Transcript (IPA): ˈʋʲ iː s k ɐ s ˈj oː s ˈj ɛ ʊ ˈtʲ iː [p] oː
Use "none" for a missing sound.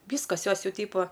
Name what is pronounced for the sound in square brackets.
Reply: p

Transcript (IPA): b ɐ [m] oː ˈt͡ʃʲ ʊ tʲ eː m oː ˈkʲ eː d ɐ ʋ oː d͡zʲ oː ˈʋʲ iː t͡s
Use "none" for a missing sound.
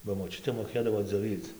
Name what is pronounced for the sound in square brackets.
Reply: m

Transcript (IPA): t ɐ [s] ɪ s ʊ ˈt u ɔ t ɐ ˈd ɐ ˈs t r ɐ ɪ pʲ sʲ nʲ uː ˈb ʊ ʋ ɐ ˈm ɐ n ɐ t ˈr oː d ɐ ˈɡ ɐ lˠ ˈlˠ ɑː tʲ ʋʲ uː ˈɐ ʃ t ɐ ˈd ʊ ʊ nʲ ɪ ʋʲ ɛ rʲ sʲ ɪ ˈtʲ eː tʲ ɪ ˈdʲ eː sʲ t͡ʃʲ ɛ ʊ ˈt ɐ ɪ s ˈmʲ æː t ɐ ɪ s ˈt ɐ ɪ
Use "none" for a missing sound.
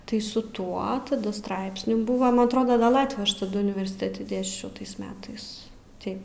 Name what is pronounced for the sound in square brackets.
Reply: none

